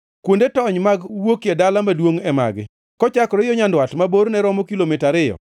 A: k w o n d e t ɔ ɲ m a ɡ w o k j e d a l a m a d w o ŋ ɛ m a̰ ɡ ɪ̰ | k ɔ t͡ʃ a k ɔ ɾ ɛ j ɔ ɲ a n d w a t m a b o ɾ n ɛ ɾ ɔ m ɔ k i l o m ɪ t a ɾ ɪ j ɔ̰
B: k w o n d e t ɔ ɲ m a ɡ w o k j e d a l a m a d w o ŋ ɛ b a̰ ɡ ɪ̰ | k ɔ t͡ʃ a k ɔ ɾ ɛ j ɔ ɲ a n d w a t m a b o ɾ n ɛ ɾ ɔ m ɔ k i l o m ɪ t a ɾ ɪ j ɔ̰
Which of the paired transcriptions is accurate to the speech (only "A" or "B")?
A